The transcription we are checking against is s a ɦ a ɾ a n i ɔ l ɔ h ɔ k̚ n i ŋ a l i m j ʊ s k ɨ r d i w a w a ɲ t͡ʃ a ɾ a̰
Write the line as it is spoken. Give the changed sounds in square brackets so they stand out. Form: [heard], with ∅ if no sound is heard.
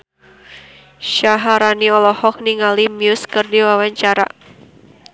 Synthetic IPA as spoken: [ʃ] a ɦ a ɾ a n i ɔ l ɔ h ɔ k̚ n i ŋ a l i m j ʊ s k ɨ r d i w a w a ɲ t͡ʃ a ɾ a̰